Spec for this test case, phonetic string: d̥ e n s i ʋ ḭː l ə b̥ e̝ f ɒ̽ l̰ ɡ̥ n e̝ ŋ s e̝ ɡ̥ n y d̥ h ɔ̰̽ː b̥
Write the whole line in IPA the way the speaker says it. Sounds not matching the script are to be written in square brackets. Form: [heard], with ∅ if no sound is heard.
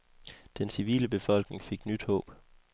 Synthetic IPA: d̥ e n s i ʋ ḭː l ə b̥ e̝ f ɒ̽ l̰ ɡ̥ n e̝ ŋ [f] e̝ ɡ̥ n y d̥ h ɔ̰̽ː b̥

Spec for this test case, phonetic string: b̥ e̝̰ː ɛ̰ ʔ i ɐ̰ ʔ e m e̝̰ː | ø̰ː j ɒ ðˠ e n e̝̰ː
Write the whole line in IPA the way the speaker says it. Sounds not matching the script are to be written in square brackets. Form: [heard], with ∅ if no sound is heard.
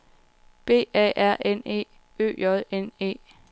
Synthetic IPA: b̥ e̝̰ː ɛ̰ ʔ [æ] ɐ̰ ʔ e [n] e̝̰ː | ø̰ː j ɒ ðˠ e n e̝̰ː

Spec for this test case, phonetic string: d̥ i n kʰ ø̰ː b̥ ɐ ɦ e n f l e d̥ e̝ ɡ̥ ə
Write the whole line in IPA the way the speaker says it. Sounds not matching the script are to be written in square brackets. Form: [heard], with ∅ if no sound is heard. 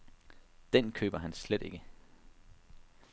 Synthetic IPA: d̥ [e] n kʰ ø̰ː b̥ ɐ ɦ [æ] n [s] l e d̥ e̝ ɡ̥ ə

